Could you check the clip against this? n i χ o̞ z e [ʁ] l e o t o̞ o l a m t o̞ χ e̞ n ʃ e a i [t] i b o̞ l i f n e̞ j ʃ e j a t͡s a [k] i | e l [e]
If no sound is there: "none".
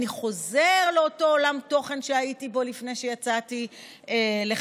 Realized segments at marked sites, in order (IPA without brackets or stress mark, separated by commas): ʁ, t, t, e